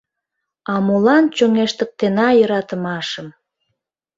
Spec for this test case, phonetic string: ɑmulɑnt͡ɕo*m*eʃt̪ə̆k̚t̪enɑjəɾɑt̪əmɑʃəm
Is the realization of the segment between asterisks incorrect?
yes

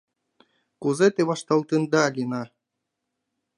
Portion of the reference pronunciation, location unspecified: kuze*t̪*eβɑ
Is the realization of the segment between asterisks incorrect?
no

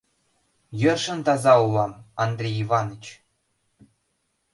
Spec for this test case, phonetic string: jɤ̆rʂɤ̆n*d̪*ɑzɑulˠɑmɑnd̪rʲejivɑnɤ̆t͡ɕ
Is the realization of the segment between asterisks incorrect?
yes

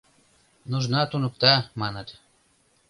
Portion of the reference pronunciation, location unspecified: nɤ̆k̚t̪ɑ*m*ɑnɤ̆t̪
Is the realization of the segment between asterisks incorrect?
no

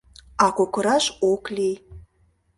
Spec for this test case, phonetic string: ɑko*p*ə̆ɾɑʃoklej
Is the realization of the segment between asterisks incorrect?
yes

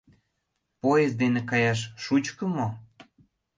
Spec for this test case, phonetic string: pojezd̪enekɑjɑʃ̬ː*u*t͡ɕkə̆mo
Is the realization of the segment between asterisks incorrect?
no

